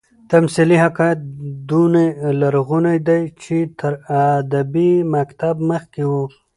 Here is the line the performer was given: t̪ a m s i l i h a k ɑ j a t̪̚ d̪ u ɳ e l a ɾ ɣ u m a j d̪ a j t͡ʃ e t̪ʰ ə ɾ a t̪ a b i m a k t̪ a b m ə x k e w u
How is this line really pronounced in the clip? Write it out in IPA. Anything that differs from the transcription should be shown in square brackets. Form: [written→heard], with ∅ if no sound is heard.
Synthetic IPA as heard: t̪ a m s i l i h a k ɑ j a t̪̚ d̪ u [ɳ→n] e l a ɾ ɣ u [m→n] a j d̪ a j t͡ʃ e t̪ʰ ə ɾ a [t̪→d̪] a b i m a k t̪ a b m ə x k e w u

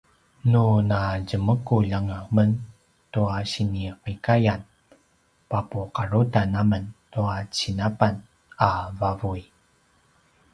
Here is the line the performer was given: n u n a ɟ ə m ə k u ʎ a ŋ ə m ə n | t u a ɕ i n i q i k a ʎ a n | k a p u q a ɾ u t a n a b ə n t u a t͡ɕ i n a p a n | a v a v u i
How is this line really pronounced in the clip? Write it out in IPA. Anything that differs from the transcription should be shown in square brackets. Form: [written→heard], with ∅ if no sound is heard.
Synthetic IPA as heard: n u n a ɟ ə m ə k u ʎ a ŋ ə m ə n | t u a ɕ i n i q i k a [ʎ→j] a n | [k→p] a p u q a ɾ u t a n a [b→m] ə n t u a t͡ɕ i n a p a n | a v a v u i

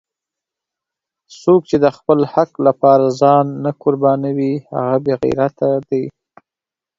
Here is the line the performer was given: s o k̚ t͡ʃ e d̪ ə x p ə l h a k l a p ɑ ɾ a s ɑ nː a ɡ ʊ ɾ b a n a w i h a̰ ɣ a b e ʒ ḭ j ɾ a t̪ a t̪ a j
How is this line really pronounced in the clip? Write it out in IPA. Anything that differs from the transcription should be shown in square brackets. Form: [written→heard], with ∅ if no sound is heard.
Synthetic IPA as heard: s o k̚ t͡ʃ e d̪ ə x p ə l h a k l a p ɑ ɾ a [s→z] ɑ nː a [ɡ→k] ʊ ɾ b [a→ɑ] n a w i h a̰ ɣ a b e [ʒ→ɣ] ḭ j ɾ a t̪ a [t̪→d̪] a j

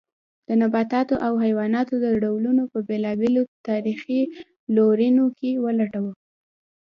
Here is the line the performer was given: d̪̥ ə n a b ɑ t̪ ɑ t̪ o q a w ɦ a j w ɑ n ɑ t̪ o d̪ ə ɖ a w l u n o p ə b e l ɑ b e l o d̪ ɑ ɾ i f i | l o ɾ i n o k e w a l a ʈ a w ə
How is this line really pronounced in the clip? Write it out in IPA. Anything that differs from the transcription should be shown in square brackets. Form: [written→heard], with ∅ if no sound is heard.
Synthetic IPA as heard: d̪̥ ə n a b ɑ t̪ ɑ t̪ o [q→ʔ] a w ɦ a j w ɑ n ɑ t̪ o d̪ ə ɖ a w l u n o p ə b e l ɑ b e l o [d̪→t̪] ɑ ɾ i [f→x] i | l o ɾ i n o k e w [a→ə] l a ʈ a w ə

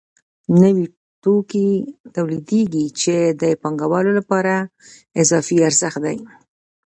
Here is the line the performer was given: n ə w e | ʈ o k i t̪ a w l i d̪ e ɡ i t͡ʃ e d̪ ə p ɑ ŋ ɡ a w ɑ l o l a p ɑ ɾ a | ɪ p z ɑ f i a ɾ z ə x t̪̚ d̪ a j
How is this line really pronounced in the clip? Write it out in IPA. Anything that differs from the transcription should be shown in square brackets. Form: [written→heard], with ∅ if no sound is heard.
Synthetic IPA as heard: n ə w [e→i] | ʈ o k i t̪ a w l i d̪ e ɡ i t͡ʃ e d̪ ə p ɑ ŋ ɡ a w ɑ l o l a p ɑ ɾ a | ɪ [p→∅] z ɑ f i a ɾ z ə x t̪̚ d̪ a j

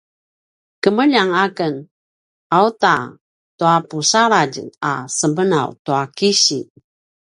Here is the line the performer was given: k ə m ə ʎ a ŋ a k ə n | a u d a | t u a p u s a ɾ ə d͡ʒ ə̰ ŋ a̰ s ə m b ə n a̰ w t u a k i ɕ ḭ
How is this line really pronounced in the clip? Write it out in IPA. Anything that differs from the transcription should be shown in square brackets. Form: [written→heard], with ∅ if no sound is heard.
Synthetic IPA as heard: k ə m ə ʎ a ŋ a k ə n | a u [d→t] a | t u a p u s a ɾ [ə→a] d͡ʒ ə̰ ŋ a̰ s ə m b ə n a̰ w t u a k i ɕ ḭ

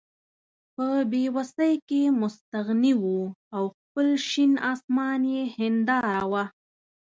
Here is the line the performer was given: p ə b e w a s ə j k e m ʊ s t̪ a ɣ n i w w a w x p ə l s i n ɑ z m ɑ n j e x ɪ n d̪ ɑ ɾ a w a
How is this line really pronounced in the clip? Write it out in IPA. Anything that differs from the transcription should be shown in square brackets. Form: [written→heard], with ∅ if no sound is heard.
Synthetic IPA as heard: p ə b e w a s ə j k e m ʊ s t̪ a ɣ n i w [w→u] a w x p ə l [s→ʃ] i n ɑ [z→s] m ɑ n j e [x→h] ɪ n d̪ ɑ ɾ a w a

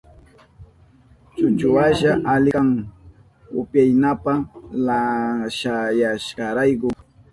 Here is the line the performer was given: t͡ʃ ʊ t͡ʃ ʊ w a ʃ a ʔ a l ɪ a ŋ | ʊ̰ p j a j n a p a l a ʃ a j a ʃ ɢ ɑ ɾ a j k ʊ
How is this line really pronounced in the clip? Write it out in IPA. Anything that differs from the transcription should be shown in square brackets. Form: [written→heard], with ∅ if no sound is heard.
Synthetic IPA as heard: t͡ʃ ʊ t͡ʃ ʊ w a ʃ a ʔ a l ɪ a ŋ | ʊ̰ p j a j n a p a l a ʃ a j a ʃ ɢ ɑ ɾ a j k ʊ

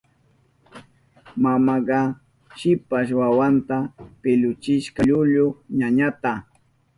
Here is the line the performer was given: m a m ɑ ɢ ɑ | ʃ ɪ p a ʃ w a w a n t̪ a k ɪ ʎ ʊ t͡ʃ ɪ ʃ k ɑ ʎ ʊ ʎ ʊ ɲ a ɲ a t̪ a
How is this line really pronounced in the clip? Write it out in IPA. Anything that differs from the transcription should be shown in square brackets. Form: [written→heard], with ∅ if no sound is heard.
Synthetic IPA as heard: m a m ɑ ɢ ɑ | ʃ ɪ p a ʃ w a w a n t̪ a [k→p] ɪ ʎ ʊ t͡ʃ ɪ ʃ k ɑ ʎ ʊ ʎ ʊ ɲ a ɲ a t̪ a

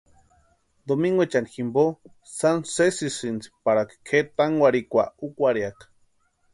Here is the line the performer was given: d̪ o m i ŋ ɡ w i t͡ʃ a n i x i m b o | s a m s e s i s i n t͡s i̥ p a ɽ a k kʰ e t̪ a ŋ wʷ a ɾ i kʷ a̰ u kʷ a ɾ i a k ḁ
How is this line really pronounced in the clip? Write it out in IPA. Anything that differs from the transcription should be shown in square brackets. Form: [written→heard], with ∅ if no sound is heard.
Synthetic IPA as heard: d̪ o m i ŋ ɡ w [i→e] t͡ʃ a n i x i m b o | s a [m→n] s e s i s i n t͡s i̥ p a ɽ a k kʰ e t̪ a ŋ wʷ a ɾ i kʷ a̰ u kʷ a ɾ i a k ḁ

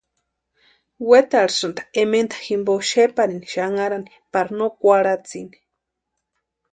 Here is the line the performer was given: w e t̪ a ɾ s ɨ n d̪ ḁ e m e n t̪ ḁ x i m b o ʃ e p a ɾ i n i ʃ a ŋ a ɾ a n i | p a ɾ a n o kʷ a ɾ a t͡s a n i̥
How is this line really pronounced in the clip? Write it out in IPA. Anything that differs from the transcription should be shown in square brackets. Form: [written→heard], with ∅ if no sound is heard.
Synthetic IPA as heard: w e t̪ a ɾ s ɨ n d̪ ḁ e m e n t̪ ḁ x i m b o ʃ e p a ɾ i n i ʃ a ŋ a ɾ a n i | p a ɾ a n o kʷ a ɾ a t͡s [a→i] n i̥

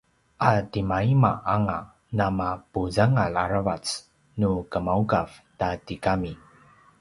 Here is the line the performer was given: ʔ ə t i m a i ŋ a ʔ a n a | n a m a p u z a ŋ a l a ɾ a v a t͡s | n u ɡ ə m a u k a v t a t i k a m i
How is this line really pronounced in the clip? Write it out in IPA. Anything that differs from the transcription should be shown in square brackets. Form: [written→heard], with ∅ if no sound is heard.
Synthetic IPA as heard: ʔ [ə→a] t i m a i [ŋ→m] a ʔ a [n→ŋ] a | n a m a p u z a ŋ a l a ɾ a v a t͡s | n u [ɡ→k] ə m a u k a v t a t i k a m i

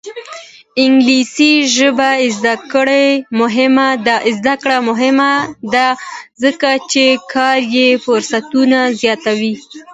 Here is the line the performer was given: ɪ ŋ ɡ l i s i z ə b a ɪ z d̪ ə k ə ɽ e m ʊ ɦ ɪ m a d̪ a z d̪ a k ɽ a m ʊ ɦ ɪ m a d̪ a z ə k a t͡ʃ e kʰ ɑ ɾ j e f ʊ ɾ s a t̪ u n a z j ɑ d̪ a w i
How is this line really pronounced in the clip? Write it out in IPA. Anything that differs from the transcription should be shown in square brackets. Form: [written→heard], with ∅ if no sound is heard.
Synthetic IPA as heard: ɪ ŋ ɡ l i s i [z→ʒ] ə b a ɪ z d̪ [ə→a] k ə ɽ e m ʊ ɦ ɪ m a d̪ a z d̪ a k ɽ a m ʊ ɦ ɪ m a d̪ a z ə k a t͡ʃ e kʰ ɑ ɾ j e f ʊ ɾ s a t̪ u n a z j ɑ [d̪→t̪] a w i

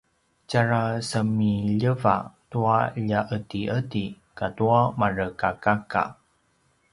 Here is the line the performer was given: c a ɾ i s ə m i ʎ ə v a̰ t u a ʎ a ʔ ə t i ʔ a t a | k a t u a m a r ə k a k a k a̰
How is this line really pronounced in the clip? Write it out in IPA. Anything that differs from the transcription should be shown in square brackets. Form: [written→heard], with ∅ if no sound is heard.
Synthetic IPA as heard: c a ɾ [i→a] s ə m i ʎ ə v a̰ t u a ʎ a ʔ ə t i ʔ [a→ə] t [a→i] | k a t u a m a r ə k a k a k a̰

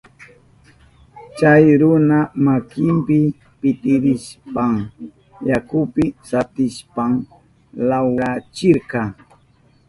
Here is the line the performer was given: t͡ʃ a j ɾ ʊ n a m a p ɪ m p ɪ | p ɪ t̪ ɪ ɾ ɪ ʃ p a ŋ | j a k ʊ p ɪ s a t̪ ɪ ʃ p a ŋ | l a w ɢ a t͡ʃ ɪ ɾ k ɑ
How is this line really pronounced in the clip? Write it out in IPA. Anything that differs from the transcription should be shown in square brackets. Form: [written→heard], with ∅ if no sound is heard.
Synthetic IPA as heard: t͡ʃ a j ɾ ʊ n a m a [p→k] ɪ m p ɪ | p ɪ t̪ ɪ ɾ ɪ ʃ p a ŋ | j a k ʊ p ɪ s a t̪ ɪ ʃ p a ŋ | l a w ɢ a t͡ʃ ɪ ɾ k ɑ

